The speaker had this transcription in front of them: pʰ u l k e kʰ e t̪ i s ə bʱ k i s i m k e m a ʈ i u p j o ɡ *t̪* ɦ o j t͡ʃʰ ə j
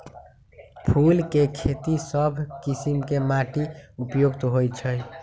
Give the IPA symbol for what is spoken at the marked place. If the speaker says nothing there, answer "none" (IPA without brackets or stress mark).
t̪